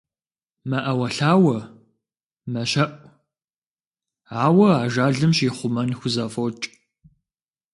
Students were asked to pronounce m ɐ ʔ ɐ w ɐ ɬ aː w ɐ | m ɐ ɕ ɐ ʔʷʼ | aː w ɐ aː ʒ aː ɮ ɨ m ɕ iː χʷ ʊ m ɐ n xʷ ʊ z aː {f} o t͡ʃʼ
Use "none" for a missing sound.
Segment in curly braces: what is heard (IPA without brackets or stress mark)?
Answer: f